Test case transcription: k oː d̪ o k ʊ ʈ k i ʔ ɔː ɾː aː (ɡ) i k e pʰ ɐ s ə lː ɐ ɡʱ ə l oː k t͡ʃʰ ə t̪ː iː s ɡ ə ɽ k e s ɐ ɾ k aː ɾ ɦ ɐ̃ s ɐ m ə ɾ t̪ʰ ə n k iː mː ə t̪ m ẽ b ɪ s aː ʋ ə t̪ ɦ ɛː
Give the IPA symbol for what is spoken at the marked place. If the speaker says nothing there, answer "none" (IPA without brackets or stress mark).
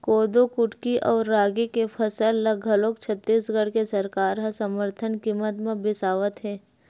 ɡ